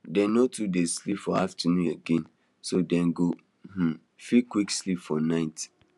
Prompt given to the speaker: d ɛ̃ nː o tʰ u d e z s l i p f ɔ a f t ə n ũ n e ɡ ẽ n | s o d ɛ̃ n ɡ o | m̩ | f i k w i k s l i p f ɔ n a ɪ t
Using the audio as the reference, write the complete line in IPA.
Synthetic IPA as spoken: d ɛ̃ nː o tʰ u d e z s l i p f ɔ a f t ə n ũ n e ɡ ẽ n | s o d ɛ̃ n ɡ o | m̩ | f i k w i k s l i p f ɔ n a ɪ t